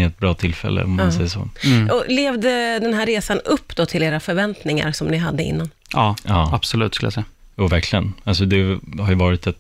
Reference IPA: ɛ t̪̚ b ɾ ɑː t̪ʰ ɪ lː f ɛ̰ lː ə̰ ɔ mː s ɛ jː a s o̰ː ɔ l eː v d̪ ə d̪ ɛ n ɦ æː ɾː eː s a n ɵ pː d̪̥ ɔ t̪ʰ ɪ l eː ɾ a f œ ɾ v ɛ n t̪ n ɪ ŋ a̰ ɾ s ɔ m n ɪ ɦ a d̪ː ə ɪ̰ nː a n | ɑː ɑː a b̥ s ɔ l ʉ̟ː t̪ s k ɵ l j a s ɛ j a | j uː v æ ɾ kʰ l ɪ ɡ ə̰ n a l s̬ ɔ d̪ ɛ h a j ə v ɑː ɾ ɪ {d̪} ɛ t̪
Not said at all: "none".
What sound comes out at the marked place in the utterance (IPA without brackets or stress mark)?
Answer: t̪